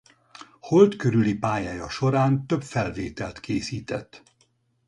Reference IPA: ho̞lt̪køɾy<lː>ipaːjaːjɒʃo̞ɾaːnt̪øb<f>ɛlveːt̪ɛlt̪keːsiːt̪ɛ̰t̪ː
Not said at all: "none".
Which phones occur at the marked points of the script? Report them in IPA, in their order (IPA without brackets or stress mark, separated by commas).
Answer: l, f